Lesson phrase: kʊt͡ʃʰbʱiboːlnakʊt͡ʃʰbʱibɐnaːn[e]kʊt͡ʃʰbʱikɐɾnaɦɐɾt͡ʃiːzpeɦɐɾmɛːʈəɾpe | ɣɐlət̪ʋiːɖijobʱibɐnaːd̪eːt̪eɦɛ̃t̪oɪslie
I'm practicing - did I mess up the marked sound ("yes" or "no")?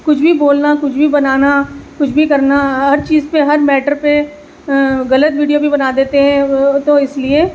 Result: yes